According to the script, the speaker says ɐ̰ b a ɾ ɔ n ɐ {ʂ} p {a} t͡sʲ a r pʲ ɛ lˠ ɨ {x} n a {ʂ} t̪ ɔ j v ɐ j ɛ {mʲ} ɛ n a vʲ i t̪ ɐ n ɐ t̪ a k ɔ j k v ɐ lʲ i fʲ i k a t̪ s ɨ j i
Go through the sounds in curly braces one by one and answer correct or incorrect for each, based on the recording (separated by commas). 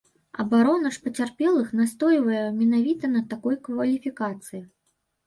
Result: correct, incorrect, correct, incorrect, correct